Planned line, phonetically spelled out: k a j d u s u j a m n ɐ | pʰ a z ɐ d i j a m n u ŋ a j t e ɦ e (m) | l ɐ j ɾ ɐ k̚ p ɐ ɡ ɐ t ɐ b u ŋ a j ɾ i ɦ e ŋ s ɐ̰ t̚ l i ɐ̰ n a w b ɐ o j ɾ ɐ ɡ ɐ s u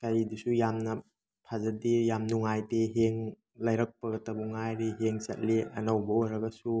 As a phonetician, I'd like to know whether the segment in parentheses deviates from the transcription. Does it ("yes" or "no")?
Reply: yes